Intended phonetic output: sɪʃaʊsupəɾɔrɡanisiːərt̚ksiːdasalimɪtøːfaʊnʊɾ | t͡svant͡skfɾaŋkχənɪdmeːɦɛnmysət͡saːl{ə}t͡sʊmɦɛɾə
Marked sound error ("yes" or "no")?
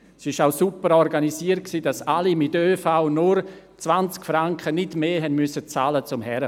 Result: no